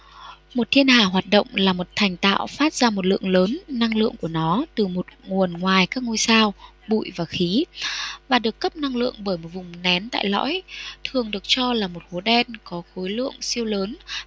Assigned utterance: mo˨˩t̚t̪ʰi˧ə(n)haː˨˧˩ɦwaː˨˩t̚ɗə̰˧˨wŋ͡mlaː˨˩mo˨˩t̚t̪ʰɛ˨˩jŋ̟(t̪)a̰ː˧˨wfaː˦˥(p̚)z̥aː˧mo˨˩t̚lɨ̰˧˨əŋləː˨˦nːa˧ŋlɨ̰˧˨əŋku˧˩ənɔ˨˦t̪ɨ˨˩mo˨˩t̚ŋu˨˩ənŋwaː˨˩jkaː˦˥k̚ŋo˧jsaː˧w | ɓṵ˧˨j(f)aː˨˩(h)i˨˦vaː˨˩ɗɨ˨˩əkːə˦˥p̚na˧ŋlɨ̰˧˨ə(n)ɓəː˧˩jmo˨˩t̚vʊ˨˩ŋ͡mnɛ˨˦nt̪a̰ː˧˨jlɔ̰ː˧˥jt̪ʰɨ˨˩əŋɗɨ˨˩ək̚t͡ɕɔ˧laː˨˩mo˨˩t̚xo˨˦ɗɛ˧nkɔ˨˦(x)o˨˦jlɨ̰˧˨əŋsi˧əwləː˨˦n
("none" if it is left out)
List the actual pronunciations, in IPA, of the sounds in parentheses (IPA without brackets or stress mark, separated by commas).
n, t̪, t̚, v, x, ŋ, x